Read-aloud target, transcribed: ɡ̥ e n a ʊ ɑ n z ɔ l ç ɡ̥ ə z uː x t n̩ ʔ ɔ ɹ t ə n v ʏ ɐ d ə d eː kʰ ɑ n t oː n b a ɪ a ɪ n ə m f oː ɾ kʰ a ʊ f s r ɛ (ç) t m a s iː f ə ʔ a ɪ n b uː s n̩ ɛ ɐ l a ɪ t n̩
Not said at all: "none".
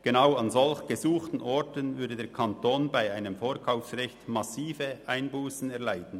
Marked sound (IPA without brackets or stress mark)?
ç